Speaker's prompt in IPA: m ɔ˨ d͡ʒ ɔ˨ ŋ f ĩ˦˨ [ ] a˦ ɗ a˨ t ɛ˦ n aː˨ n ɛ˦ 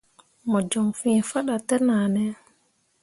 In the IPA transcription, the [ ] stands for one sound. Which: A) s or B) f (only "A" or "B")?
B